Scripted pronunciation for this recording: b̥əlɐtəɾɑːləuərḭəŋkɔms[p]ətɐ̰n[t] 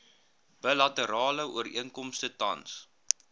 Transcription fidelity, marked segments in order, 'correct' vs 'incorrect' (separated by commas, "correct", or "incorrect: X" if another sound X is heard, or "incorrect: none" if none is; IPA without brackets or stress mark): incorrect: t, incorrect: s